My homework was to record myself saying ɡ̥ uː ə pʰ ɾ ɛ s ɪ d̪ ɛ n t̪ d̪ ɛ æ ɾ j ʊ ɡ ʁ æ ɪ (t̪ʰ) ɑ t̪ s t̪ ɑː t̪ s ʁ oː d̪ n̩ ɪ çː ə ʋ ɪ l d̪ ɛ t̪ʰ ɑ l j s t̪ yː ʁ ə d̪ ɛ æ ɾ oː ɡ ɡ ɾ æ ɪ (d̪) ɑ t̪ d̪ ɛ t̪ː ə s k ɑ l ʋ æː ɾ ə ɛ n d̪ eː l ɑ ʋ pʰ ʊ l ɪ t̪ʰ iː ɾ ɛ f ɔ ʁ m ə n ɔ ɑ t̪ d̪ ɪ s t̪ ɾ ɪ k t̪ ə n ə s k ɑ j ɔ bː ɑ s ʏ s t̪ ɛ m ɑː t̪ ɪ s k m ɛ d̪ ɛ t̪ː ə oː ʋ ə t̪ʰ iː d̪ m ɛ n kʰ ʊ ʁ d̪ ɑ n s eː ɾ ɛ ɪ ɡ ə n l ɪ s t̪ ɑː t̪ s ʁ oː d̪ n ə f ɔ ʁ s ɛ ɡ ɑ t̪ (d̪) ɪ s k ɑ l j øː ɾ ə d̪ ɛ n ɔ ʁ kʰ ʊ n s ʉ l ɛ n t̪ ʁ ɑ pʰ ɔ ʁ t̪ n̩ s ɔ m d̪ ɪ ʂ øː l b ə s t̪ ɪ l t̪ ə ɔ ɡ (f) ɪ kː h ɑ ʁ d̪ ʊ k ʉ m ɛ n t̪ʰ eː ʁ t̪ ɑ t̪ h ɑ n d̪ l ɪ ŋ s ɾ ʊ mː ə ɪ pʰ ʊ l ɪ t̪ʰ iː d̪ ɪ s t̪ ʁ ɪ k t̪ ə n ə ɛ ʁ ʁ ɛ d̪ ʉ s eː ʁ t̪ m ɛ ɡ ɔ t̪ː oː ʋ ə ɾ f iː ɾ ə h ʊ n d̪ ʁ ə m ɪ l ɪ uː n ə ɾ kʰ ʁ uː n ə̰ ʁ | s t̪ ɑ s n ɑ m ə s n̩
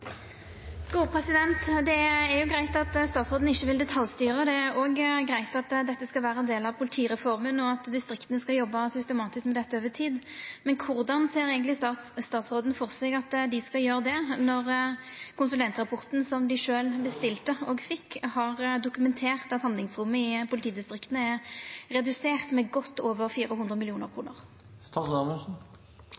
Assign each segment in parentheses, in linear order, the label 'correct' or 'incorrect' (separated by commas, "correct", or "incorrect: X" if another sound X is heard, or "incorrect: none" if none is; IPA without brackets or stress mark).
incorrect: t̪, incorrect: t̪, correct, correct